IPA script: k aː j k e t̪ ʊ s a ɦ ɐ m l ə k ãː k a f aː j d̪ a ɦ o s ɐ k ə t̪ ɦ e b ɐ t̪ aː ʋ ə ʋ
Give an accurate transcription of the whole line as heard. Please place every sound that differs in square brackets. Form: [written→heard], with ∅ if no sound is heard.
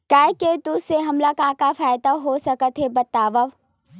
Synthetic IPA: k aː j k e t̪ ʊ s [a→e] ɦ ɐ m l [ə→a] k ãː k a f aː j d̪ a ɦ o s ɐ k ə t̪ ɦ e b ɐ t̪ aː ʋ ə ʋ

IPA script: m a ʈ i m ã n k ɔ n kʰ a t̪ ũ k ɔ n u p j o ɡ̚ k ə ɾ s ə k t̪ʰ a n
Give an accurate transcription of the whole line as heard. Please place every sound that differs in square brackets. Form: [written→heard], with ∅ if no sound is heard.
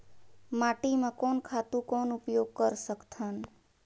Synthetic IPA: m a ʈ i m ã [n→∅] k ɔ n kʰ a t̪ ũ k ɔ n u p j o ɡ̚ k ə ɾ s ə k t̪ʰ a n

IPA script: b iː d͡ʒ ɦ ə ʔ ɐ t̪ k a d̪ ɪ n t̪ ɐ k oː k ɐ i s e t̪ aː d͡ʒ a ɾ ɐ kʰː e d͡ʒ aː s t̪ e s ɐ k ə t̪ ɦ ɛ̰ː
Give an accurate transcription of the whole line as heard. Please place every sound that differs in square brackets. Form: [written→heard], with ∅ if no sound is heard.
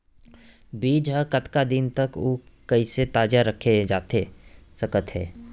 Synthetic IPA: b iː d͡ʒ ɦ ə [ʔ→k] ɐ t̪ k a d̪ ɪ n t̪ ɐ k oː k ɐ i s e t̪ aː d͡ʒ a ɾ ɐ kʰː e d͡ʒ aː [s→∅] t̪ e s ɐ k ə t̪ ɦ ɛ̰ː

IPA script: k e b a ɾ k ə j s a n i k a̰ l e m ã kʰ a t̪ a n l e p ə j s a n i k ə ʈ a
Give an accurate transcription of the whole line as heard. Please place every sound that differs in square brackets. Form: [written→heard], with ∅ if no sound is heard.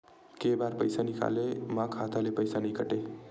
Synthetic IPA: k e b a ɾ [k→p] ə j s a n i k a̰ l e m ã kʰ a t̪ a [n→∅] l e p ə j s a n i k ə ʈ [a→e]

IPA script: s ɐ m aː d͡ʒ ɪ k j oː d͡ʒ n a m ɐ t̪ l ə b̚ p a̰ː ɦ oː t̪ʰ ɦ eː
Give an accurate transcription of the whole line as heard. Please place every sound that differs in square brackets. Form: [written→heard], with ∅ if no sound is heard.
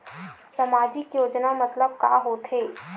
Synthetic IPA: s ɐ m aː d͡ʒ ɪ k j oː d͡ʒ n a m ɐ t̪ l ə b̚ [p→k] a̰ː ɦ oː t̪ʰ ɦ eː

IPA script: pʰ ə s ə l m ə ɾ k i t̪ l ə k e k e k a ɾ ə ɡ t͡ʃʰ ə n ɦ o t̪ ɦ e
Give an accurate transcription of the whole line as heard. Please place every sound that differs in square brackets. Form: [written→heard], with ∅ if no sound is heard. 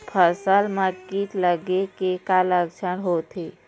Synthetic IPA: pʰ ə s ə l m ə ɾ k i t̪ l ə [k→ɡ] e k e k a [ɾ→l] ə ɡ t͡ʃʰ ə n ɦ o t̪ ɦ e

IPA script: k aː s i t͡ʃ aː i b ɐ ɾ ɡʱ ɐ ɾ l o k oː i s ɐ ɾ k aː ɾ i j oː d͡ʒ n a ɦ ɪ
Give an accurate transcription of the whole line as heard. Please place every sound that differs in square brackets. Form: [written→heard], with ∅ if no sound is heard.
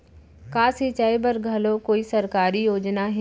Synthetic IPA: k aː s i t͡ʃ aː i b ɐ ɾ ɡʱ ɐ [ɾ→∅] l o k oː i s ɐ ɾ k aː ɾ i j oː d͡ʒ n a ɦ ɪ

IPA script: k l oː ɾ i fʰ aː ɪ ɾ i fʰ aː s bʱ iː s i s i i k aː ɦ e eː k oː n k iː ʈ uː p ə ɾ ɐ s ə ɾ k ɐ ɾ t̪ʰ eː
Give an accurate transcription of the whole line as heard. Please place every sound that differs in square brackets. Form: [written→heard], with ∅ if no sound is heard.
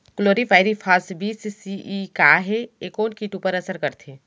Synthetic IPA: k l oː ɾ i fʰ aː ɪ ɾ i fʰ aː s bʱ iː s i s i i k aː ɦ e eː k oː n k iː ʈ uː p ə ɾ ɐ s ə ɾ k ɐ ɾ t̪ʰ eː

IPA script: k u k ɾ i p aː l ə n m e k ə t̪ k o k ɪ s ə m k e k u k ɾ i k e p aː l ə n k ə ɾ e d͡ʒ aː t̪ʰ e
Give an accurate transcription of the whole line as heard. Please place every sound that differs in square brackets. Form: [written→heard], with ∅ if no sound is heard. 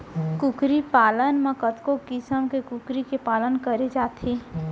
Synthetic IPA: k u k ɾ i p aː l ə n m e k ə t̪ k o k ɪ s ə m k e k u k ɾ i k e p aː l ə n k ə ɾ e d͡ʒ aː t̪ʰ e

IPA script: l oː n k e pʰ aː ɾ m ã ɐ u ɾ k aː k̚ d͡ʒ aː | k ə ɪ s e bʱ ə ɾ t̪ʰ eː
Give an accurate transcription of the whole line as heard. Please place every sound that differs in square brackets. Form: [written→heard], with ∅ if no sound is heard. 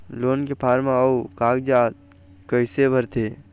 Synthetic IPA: l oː n k e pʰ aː ɾ m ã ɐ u [ɾ→∅] k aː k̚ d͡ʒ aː | k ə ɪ s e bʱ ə ɾ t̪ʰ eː

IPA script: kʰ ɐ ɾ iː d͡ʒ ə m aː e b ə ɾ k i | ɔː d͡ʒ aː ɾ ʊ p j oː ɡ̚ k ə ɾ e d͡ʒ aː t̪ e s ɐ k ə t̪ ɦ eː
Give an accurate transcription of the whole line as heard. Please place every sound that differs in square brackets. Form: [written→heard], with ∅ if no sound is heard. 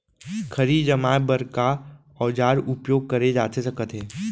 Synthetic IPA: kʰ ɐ ɾ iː d͡ʒ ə m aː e b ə ɾ k [i→a] | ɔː d͡ʒ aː ɾ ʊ p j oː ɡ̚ k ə ɾ e d͡ʒ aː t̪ e s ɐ k ə t̪ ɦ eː

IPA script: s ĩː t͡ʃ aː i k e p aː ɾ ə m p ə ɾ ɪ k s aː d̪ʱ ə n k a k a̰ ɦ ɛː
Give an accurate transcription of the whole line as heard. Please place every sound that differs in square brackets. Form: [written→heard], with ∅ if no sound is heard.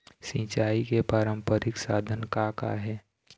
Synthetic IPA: s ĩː t͡ʃ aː i k e p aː ɾ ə m p ə ɾ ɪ k s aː d̪ʱ ə n k a k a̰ ɦ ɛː

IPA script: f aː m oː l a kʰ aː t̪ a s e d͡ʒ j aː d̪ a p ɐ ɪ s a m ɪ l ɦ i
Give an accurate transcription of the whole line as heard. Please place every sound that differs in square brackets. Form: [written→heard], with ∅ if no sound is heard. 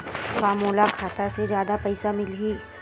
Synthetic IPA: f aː m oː l a kʰ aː t̪ a s e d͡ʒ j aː d̪ a p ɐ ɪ s a m ɪ l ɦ i

